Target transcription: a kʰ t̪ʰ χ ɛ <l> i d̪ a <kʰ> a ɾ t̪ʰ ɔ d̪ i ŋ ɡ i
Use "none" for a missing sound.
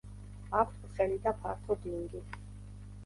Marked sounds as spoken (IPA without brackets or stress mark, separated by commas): l, pʰ